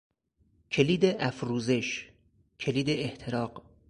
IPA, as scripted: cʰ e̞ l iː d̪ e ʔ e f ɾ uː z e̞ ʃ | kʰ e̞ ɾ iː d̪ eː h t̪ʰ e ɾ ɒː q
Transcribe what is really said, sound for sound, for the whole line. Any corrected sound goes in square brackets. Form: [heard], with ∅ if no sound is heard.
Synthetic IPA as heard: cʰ e̞ l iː d̪ e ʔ [æ] f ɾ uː z e̞ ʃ | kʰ e̞ [l] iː d̪ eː h t̪ʰ e ɾ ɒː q